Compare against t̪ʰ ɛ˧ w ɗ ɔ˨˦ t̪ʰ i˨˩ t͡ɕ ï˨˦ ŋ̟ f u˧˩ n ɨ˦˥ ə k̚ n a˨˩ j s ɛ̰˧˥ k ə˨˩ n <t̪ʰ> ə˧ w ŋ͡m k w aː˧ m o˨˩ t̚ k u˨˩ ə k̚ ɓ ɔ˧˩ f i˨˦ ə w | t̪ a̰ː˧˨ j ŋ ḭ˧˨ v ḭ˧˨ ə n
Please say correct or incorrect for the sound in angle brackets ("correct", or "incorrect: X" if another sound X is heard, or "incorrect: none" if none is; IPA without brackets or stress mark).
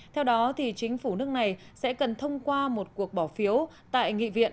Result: correct